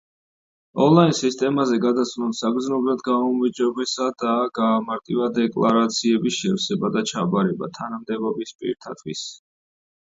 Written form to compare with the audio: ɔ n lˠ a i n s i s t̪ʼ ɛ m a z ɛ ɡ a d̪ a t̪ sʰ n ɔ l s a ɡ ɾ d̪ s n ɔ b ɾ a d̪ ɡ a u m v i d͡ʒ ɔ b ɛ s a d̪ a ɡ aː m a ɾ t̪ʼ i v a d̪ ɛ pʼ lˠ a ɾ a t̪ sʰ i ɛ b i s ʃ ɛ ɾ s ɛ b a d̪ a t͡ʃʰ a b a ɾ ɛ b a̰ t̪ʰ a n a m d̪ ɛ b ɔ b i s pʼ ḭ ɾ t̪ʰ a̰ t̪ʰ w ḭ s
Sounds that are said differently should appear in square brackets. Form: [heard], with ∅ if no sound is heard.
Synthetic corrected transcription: ɔ n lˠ a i n s i s t̪ʼ ɛ m a z ɛ ɡ a d̪ a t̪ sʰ n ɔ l s a ɡ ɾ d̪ [z] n ɔ b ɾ a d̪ ɡ a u m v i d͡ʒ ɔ b ɛ s a d̪ a ɡ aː m a ɾ t̪ʼ i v a d̪ ɛ [kʼ] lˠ a ɾ a t̪ sʰ i ɛ b i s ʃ ɛ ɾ s ɛ b a d̪ a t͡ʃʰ a b a ɾ ɛ b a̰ t̪ʰ a n a m d̪ ɛ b ɔ b i s pʼ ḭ ɾ t̪ʰ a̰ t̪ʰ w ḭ s